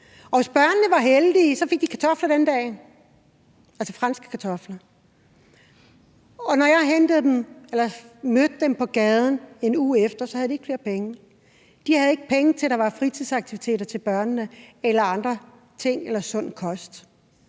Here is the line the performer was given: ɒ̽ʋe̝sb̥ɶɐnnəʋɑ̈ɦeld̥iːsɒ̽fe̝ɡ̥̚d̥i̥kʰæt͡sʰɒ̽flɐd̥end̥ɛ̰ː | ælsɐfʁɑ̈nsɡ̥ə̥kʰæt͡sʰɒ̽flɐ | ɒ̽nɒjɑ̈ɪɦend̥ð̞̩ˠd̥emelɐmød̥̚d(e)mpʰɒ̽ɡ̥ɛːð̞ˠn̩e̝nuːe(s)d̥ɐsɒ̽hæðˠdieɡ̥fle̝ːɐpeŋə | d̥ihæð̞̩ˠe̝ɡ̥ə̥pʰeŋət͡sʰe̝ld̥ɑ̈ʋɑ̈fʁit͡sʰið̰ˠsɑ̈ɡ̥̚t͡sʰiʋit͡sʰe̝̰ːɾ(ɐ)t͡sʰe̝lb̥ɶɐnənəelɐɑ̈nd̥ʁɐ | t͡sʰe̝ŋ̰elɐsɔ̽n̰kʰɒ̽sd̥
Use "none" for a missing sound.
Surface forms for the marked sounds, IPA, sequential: e, f, ɐ

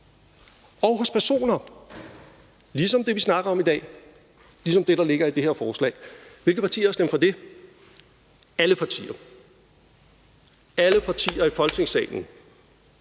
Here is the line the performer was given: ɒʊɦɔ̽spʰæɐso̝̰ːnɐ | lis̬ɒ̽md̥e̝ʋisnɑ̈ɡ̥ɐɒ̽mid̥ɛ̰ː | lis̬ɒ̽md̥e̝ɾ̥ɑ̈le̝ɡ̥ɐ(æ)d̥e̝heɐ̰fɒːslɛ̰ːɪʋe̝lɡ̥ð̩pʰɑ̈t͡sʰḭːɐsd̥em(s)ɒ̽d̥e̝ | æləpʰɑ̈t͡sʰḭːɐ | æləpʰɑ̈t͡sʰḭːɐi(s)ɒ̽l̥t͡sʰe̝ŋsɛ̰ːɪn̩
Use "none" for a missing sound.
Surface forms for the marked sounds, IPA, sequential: i, f, f

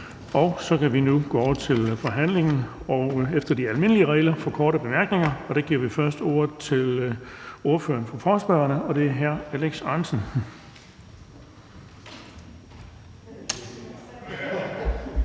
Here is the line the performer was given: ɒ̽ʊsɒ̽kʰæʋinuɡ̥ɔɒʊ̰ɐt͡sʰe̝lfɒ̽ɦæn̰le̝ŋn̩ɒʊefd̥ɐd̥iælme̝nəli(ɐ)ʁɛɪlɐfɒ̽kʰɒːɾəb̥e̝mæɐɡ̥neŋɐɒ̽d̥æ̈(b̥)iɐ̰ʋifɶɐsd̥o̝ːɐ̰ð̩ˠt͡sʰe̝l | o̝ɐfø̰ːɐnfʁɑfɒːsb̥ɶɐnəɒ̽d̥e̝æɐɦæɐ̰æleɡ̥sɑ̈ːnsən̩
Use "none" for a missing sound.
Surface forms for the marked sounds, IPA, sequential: ə, ɡ̥

